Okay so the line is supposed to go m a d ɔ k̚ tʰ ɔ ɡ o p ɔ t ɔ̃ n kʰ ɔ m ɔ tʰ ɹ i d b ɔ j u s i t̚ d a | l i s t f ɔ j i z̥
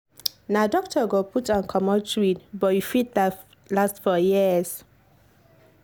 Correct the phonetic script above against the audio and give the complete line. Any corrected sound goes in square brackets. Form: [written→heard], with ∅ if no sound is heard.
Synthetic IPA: [m→n] a d ɔ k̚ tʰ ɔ ɡ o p [ɔ→u] t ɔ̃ n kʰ ɔ m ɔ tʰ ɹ i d b ɔ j u [s→f] i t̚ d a | l [i→a] s t f ɔ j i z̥